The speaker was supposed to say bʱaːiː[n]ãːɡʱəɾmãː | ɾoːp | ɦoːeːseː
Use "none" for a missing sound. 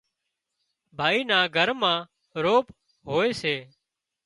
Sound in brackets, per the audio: n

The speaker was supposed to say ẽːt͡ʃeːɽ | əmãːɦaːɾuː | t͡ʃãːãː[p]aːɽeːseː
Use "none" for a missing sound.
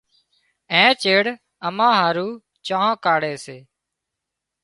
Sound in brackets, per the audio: k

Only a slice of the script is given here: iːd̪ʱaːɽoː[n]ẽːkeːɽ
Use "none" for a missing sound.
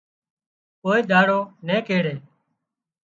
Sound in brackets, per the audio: n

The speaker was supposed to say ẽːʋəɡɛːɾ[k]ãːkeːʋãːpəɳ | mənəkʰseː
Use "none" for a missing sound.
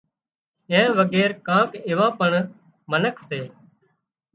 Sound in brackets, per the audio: k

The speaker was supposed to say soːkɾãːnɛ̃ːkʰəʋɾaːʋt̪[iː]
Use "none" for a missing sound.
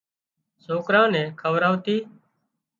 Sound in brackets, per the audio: iː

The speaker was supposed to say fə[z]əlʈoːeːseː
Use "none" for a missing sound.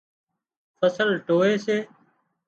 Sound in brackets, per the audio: s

